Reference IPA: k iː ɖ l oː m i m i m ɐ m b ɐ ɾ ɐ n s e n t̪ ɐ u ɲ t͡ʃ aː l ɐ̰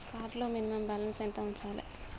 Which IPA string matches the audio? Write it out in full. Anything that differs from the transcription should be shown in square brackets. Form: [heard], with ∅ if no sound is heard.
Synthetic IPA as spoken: k [aː] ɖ l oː m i [n] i m ɐ m b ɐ [l] ɐ n s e n t̪ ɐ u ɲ t͡ʃ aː l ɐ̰